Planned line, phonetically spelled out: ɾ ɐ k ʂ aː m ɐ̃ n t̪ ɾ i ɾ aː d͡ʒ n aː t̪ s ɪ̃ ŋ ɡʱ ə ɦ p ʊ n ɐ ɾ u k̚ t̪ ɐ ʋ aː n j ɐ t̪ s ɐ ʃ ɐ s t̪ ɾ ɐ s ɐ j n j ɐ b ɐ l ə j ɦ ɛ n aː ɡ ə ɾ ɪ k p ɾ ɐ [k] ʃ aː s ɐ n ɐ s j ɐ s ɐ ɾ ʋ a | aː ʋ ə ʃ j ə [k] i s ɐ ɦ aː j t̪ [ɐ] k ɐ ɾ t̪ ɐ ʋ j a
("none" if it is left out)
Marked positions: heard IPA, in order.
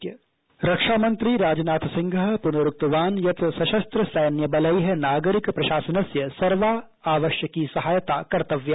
none, k, a

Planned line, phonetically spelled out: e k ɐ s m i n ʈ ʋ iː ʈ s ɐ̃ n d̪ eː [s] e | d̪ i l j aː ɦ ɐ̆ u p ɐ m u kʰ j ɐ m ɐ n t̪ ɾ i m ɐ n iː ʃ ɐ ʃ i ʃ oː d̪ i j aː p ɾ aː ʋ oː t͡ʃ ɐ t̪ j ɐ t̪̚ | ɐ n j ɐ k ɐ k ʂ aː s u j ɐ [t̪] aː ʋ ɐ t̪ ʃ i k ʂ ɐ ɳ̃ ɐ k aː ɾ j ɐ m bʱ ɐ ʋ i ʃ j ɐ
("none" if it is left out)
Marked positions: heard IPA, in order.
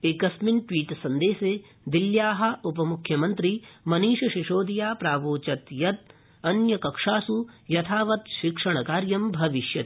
s, t̪ʰ

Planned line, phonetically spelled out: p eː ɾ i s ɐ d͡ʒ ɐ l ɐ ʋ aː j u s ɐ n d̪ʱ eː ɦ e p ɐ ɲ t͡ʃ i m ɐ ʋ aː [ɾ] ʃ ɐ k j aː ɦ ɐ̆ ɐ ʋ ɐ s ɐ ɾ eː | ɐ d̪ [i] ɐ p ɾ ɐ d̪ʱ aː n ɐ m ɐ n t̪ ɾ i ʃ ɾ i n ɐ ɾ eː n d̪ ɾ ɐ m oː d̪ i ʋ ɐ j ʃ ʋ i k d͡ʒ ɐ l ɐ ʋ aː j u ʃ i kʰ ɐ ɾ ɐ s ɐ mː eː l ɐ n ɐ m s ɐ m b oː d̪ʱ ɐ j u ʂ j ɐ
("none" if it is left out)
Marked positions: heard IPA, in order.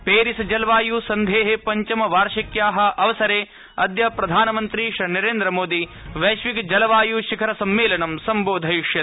ɾ, j

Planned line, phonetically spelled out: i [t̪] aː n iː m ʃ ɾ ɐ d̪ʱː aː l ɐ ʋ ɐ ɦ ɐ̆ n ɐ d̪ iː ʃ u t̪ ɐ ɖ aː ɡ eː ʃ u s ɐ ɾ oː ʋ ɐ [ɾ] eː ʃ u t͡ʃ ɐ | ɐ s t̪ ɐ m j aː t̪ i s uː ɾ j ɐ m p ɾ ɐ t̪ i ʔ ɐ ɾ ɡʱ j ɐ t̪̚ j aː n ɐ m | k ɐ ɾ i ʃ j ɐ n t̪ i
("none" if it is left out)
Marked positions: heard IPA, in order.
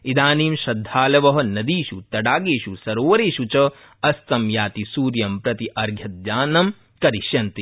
d̪, ɾ

